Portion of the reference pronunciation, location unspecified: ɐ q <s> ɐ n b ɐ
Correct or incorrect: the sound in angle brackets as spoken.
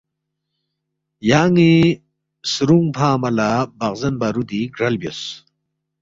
incorrect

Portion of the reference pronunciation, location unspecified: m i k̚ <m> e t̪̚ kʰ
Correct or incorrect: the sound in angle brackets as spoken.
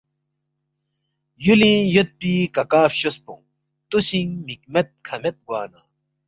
correct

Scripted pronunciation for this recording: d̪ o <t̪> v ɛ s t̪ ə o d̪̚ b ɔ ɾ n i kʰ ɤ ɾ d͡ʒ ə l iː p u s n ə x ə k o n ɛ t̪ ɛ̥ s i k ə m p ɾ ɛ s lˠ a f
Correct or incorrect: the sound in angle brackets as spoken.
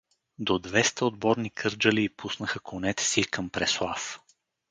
incorrect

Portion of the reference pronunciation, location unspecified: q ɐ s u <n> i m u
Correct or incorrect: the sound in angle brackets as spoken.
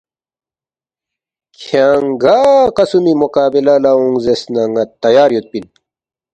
incorrect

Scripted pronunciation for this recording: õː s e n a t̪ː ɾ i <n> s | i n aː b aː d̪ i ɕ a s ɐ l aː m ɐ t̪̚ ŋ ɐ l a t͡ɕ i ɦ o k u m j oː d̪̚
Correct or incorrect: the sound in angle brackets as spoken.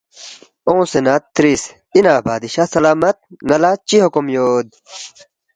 incorrect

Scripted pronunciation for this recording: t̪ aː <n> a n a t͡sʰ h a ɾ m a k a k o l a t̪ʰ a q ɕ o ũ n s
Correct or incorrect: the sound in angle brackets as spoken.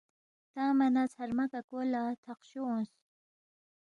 incorrect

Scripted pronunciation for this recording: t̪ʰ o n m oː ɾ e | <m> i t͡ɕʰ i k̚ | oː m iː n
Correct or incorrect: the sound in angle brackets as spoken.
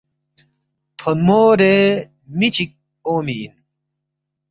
correct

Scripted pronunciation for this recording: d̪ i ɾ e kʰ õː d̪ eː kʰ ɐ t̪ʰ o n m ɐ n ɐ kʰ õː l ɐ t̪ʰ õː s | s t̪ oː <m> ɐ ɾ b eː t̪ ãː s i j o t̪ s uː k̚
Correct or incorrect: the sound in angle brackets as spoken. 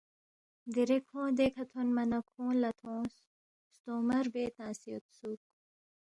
correct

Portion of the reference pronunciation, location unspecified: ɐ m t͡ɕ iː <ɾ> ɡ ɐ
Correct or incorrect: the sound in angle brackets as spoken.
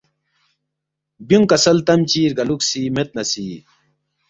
correct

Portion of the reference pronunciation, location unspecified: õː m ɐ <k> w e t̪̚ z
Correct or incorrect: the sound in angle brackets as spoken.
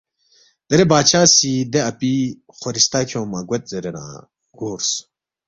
incorrect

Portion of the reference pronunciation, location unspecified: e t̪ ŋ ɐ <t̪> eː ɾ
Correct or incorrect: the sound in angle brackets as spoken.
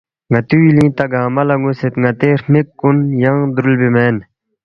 correct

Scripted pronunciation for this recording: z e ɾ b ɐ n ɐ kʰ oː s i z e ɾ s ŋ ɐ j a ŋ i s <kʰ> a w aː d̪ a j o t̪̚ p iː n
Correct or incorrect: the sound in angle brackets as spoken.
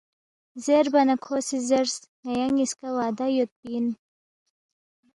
incorrect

